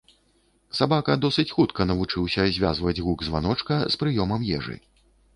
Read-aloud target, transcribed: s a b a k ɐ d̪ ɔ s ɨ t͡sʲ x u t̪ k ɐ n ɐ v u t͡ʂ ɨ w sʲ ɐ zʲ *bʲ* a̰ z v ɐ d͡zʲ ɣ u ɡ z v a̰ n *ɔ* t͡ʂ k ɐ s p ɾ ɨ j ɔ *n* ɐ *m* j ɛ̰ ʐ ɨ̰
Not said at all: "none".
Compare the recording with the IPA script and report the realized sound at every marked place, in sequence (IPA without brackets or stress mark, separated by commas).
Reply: vʲ, ɔ, m, m